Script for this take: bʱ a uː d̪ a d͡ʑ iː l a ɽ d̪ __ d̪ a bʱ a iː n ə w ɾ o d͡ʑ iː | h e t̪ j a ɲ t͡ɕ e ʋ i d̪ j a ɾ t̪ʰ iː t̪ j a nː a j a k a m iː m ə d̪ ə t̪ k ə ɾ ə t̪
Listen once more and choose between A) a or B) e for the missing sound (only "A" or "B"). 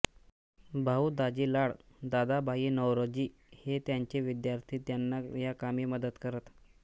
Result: A